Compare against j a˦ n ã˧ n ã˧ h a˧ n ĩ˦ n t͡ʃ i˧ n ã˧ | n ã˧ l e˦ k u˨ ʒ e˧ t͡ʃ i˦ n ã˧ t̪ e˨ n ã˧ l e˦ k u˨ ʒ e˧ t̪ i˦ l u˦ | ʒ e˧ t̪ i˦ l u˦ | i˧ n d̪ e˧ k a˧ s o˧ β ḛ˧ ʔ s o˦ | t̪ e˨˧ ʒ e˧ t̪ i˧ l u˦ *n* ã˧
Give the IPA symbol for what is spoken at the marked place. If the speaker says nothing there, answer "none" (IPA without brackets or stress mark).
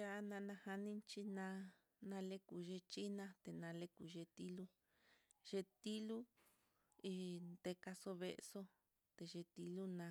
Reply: n